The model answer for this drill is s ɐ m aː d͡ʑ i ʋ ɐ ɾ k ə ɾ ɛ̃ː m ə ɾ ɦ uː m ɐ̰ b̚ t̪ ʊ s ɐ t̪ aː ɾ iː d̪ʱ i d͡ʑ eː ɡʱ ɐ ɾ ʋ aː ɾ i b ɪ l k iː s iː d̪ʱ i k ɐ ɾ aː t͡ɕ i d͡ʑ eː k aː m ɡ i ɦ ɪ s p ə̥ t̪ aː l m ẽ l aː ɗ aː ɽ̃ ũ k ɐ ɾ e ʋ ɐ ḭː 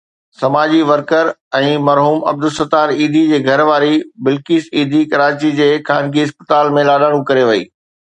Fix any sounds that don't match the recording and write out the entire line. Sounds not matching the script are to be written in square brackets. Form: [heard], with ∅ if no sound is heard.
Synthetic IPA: s ɐ m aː d͡ʑ i ʋ ɐ ɾ k ə ɾ ɛ̃ː m [ɐ] ɾ ɦ uː m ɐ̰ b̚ [d̪] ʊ s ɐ t̪ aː ɾ iː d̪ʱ i d͡ʑ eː ɡʱ ɐ ɾ ʋ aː ɾ i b ɪ l k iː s iː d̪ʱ i k ɐ ɾ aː t͡ɕ i d͡ʑ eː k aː [n] ɡ i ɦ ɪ s p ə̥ t̪ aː l m ẽ l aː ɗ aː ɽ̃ ũ k ɐ ɾ e ʋ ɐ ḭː